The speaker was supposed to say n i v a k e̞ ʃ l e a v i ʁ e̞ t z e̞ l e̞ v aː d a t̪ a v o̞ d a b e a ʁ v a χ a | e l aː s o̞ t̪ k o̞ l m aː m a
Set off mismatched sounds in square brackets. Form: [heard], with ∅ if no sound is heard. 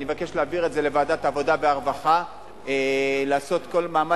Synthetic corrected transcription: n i v a k e̞ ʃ l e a v i ʁ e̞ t z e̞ l e̞ v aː d a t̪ a v o̞ d a b e a ʁ v a χ a | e l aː s o̞ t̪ k o̞ l m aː m a